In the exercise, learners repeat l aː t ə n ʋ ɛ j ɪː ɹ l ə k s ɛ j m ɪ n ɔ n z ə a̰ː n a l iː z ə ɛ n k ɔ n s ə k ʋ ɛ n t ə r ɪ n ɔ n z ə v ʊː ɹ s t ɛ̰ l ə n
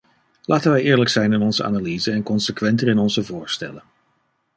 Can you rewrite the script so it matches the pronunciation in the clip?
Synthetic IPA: l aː t ə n ʋ ɛ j ɪː ɹ l ə k s ɛ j n ɪ n ɔ n z ə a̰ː n a l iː z ə ɛ n k ɔ n s ə k ʋ ɛ n t ə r ɪ n ɔ n z ə v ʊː ɹ s t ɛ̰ l ə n